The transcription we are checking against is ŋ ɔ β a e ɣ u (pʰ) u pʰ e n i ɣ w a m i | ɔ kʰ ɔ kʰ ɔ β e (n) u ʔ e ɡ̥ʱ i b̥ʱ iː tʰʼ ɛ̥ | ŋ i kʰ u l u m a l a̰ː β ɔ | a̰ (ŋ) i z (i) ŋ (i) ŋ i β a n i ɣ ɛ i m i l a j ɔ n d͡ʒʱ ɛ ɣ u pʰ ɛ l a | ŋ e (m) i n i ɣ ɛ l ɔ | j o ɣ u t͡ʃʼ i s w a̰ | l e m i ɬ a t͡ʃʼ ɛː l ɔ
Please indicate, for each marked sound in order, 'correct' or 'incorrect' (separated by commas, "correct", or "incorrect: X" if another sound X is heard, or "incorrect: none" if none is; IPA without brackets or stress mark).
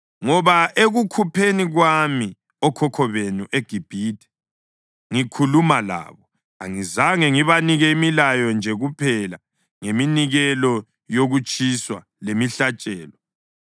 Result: incorrect: kʰ, correct, correct, incorrect: a, incorrect: ɛ, correct